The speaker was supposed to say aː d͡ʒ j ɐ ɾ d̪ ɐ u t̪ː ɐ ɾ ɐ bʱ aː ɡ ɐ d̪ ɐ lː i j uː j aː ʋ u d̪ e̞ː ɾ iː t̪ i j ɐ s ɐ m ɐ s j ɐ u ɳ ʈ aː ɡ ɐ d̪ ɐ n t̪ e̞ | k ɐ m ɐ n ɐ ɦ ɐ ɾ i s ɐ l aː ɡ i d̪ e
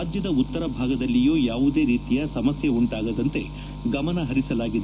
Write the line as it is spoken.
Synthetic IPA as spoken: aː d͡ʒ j ɐ d̪ ɐ u t̪ː ɐ ɾ ɐ bʱ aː ɡ ɐ d̪ ɐ lː i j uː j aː ʋ u d̪ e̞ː ɾ iː t̪ i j ɐ s ɐ m ɐ s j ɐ u ɳ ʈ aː ɡ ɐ d̪ ɐ n t̪ e̞ | ɡ ɐ m ɐ n ɐ ɦ ɐ ɾ i s ɐ l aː ɡ i d̪ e